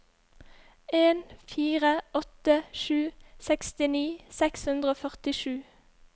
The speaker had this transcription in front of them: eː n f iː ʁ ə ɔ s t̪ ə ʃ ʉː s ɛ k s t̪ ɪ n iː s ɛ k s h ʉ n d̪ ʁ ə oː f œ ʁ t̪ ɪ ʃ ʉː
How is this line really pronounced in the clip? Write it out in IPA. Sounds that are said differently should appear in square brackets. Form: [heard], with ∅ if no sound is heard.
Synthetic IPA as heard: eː n f iː ʁ ə ɔ [∅] t̪ ə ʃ ʉː s ɛ k s t̪ ɪ n iː s ɛ k s h ʉ n d̪ ʁ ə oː f œ ʁ t̪ ɪ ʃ ʉː

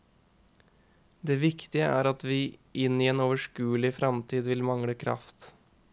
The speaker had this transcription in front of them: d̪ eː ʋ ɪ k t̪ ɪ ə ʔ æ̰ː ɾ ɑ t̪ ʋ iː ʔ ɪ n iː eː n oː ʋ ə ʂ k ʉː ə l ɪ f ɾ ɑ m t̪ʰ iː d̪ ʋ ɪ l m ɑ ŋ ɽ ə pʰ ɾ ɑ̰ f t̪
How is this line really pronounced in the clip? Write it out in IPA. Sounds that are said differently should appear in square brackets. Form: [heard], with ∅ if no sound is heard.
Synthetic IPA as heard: d̪ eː ʋ ɪ k t̪ ɪ ə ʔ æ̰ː ɾ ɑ t̪ ʋ iː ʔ ɪ n iː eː n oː ʋ ə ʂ k ʉː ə l ɪ f ɾ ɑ m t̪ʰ iː d̪ ʋ ɪ l m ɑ ŋ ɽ ə [kʰ] ɾ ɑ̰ f t̪

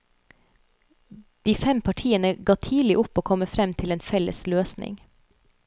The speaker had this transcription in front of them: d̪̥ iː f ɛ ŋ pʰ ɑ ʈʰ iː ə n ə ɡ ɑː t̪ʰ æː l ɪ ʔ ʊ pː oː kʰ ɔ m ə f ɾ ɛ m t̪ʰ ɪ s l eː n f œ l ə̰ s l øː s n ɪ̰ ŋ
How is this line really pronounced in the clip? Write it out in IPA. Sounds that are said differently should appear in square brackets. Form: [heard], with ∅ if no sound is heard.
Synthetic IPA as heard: d̪̥ iː f ɛ [m] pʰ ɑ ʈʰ iː ə n ə ɡ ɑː t̪ʰ [iː] l ɪ ʔ ʊ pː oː kʰ ɔ m ə f ɾ ɛ m t̪ʰ ɪ [∅] l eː n f [ɛ] l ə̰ s l øː s n ɪ̰ ŋ

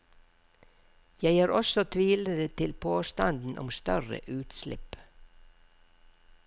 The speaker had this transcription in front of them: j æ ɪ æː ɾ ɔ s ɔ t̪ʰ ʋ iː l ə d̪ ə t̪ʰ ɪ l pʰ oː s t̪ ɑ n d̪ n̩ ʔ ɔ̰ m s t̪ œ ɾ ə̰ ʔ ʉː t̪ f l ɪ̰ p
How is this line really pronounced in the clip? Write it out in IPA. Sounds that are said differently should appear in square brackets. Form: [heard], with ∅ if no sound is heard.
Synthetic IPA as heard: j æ ɪ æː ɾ ɔ s ɔ t̪ʰ ʋ iː l ə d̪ ə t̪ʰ ɪ l pʰ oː s t̪ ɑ n d̪ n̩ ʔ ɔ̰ m s t̪ œ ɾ ə̰ ʔ ʉː t̪ [s] l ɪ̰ p

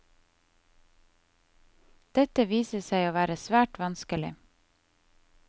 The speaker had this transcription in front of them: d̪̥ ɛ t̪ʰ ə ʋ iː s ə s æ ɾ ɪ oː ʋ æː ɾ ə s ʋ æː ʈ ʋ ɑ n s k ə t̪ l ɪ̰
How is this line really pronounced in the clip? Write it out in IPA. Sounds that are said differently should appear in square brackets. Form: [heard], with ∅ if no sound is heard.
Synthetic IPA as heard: d̪̥ ɛ [t̪] ə ʋ iː s ə s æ [∅] ɪ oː ʋ æː ɾ ə s ʋ æː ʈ ʋ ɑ n s k ə [∅] l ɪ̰

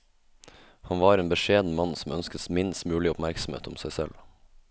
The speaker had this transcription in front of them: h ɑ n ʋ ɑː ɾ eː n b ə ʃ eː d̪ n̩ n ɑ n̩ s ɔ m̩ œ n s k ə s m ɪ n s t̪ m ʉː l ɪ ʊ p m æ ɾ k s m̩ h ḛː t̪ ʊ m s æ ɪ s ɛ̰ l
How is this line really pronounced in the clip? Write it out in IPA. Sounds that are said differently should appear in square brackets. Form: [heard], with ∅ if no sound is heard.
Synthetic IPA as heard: h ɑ n ʋ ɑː ɾ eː n b ə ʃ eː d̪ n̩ [m] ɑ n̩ s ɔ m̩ œ n s k ə s m ɪ n s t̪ m ʉː l ɪ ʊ p m æ ɾ k s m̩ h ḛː t̪ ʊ m s æ ɪ s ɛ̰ l

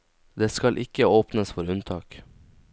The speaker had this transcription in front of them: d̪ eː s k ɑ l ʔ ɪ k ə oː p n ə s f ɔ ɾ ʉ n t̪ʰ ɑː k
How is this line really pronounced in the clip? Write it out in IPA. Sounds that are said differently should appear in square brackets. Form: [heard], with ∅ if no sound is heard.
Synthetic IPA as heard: d̪ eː s k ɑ l ʔ ɪ k ə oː p n ə s f ɔ ɾ ʉ n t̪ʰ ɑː k

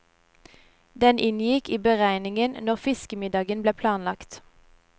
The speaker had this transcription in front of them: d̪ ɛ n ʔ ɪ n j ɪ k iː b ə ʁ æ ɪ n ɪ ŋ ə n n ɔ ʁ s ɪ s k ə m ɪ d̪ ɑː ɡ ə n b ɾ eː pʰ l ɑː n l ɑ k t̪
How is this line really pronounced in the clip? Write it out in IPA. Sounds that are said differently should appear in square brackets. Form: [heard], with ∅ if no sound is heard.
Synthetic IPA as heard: d̪ ɛ n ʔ ɪ n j ɪ k iː b ə ʁ æ ɪ n ɪ ŋ ə n n ɔ ʁ [f] ɪ s k ə m ɪ d̪ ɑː ɡ ə n b [l] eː pʰ l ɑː n l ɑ k t̪

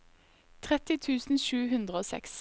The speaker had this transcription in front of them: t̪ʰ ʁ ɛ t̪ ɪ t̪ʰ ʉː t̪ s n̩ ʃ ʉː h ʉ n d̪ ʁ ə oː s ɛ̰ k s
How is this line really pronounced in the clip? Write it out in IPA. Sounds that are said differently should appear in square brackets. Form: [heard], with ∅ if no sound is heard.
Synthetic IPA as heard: t̪ʰ ʁ ɛ t̪ ɪ t̪ʰ ʉː [∅] s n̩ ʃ ʉː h ʉ n d̪ ʁ ə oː s ɛ̰ k s

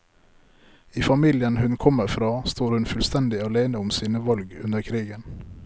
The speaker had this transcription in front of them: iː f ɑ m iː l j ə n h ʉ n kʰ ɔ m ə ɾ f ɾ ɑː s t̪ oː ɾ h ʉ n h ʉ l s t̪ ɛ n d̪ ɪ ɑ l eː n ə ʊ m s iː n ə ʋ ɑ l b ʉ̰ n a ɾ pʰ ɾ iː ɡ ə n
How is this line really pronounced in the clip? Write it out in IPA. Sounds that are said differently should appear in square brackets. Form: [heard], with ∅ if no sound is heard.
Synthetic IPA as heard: iː f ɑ m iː l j ə n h ʉ n kʰ ɔ m ə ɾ f ɾ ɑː s t̪ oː ɾ h ʉ n [f] ʉ l s t̪ ɛ n d̪ ɪ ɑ l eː n ə ʊ m s iː n ə ʋ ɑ l [ɡ] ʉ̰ n [ə] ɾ [kʰ] ɾ iː ɡ ə n

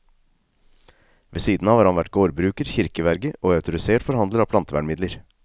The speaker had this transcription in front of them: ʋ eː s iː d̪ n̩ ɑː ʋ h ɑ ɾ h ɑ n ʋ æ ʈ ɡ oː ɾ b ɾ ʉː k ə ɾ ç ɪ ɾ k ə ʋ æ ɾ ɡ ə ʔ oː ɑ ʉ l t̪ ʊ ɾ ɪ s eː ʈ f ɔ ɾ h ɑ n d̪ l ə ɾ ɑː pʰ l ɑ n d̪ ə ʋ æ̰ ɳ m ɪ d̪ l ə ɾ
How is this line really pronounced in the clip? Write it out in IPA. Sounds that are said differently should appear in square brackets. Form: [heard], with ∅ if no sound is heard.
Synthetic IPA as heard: ʋ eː s iː d̪ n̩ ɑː ʋ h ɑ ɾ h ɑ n ʋ æ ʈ ɡ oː ɾ b ɾ ʉː k ə ɾ ç ɪ ɾ k ə ʋ æ ɾ ɡ ə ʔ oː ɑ ʉ [∅] t̪ ʊ ɾ ɪ s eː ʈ f ɔ ɾ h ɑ n d̪ l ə ɾ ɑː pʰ l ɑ n [t̪] ə ʋ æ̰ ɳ m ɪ d̪ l ə ɾ

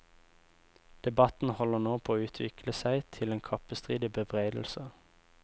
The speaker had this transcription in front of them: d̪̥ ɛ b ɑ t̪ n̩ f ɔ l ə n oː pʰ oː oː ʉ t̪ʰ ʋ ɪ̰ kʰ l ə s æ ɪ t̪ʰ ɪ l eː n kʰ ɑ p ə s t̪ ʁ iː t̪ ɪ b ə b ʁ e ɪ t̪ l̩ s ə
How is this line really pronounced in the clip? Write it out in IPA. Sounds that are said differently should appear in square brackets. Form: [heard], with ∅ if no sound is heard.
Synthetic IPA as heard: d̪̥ ɛ b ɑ t̪ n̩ [h] ɔ l ə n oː pʰ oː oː [ʉː] t̪ʰ ʋ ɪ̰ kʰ l ə s æ ɪ t̪ʰ ɪ l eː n kʰ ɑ p ə s t̪ ʁ iː [d̪] ɪ b ə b ʁ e ɪ [d̪] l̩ s ə

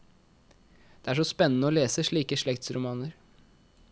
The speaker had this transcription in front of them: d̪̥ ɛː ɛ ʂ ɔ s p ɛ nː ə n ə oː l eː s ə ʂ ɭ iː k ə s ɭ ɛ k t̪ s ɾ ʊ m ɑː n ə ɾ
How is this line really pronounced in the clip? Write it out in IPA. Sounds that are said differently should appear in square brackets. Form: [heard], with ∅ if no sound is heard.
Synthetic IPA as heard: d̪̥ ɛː [æ] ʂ ɔ s p ɛ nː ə n ə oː l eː s ə ʂ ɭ iː k ə [ʂ] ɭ ɛ k t̪ s ɾ ʊ m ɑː n ə ɾ

